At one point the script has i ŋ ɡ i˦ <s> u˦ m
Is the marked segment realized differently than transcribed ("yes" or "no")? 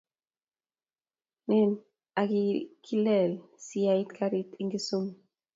no